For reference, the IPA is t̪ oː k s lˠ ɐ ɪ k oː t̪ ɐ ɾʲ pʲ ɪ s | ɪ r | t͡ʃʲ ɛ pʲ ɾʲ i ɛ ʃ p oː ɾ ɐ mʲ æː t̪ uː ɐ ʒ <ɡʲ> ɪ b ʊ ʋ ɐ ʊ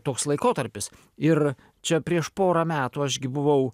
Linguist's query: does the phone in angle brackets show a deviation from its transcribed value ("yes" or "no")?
no